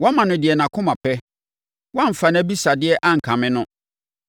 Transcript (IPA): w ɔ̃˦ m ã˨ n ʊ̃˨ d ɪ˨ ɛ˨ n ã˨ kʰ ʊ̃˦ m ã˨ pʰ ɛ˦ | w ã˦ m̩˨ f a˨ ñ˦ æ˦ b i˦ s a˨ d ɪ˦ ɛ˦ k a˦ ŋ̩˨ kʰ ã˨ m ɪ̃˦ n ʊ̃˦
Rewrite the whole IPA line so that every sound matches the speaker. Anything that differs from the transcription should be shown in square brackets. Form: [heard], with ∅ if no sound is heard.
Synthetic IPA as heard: w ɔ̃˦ m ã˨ n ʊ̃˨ d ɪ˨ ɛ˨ n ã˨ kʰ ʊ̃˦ m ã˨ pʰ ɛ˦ | w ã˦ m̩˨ f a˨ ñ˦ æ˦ b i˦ s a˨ d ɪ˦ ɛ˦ [ʔ] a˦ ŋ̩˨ kʰ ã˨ m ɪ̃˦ n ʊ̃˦